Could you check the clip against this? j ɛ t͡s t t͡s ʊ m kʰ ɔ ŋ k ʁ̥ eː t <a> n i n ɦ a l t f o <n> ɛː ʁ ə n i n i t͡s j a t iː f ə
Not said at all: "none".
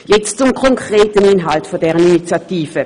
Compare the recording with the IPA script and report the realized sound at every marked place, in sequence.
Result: ə, d

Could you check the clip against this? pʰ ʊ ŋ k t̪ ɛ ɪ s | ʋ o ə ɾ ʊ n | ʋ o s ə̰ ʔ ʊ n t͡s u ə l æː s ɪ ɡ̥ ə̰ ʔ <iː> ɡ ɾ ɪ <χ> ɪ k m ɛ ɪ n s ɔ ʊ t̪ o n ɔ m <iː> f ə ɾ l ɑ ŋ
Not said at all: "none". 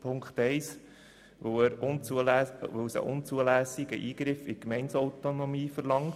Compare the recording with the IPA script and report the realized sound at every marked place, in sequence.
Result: iː, f, iː

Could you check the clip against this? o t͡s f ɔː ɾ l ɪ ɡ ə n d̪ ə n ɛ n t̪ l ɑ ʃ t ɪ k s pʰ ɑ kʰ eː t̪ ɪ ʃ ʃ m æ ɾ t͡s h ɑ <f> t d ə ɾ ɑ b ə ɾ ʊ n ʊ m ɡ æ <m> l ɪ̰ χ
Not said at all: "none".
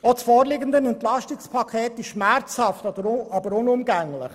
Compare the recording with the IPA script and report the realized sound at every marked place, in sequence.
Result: f, ŋ

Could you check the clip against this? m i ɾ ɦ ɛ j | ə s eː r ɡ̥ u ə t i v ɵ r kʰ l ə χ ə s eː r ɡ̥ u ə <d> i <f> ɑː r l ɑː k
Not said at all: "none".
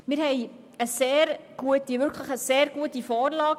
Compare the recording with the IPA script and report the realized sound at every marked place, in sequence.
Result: t, f

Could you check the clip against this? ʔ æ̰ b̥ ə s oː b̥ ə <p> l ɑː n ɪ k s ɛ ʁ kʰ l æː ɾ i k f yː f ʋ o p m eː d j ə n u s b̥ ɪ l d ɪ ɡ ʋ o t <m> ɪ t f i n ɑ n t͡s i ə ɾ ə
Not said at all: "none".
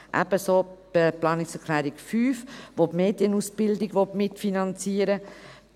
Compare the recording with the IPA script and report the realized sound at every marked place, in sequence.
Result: p, m

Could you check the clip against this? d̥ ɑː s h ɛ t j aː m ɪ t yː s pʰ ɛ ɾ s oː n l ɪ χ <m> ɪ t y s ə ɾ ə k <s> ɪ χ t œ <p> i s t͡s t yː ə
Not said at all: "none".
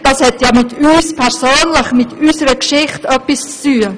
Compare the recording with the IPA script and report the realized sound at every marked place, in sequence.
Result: m, ʃ, p

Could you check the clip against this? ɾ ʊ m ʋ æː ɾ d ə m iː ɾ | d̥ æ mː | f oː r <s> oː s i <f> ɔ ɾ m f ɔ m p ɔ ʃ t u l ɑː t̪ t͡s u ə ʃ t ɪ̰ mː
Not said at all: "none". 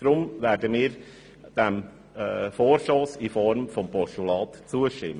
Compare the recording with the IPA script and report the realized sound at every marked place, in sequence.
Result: ʃ, f

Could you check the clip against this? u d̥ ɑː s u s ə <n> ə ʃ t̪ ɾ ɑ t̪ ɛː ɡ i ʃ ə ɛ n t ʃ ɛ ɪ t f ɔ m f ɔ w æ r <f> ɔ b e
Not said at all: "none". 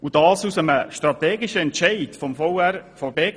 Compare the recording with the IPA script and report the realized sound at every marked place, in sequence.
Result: m, f

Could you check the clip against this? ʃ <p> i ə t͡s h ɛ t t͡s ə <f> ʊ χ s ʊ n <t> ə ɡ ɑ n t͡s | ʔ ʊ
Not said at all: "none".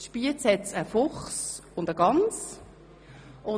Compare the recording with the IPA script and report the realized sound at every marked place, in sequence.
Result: p, f, d

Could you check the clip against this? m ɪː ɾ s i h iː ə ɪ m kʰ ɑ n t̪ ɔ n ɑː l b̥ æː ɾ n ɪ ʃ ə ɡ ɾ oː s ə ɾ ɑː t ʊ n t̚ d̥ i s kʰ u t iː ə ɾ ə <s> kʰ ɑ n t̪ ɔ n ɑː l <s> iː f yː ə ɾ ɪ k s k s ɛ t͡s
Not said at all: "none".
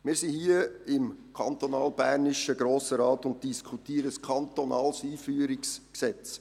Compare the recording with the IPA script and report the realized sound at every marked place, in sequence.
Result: s, s

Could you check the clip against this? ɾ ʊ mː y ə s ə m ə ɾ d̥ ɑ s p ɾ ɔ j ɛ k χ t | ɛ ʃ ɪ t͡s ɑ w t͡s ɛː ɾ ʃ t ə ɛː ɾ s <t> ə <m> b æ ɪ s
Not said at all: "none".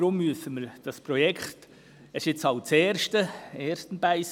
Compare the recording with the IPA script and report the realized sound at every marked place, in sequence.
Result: t, n

